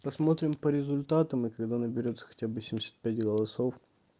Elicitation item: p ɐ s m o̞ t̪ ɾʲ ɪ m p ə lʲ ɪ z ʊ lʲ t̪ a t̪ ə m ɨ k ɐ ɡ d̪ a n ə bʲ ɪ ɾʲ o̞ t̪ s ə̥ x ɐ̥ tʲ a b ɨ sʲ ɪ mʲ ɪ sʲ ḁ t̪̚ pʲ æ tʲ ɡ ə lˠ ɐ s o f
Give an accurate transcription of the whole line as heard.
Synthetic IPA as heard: p ɐ s m o̞ t̪ ɾʲ ɪ m p ə ɾʲ ɪ z ʊ lʲ t̪ a t̪ ə m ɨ k ɐ ɡ d̪ a n ə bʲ ɪ ɾʲ o̞ t̪ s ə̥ x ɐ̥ tʲ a b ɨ sʲ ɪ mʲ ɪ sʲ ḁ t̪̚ pʲ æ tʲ ɡ ə lˠ ɐ s o f